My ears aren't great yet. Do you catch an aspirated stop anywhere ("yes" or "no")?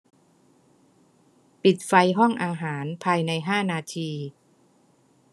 yes